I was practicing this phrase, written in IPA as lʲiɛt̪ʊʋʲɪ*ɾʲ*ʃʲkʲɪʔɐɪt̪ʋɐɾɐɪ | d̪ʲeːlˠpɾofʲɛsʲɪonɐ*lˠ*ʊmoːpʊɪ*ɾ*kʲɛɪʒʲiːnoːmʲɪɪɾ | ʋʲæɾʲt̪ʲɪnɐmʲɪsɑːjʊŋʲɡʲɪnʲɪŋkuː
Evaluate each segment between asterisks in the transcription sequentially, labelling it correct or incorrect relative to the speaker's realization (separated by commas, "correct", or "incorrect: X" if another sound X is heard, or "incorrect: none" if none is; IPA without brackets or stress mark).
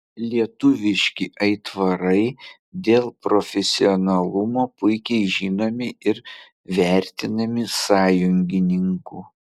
incorrect: none, correct, incorrect: none